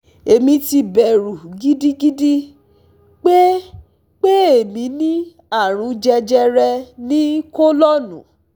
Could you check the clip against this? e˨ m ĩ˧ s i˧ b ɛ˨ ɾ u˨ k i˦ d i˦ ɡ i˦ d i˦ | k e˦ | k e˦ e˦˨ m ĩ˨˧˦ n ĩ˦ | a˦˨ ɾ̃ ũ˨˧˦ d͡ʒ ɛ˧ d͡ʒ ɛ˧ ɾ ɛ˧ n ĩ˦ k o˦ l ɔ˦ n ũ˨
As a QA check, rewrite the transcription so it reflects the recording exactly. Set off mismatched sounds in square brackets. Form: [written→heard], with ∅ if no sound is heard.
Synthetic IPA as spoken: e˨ m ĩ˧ [s→t] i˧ b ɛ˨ ɾ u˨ [k→ɡ] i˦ d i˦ ɡ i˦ d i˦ | [k→k͡p] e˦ | [k→k͡p] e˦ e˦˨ m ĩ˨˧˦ n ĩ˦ | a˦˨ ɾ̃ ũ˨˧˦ d͡ʒ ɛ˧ d͡ʒ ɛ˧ ɾ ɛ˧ n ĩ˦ k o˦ l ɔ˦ n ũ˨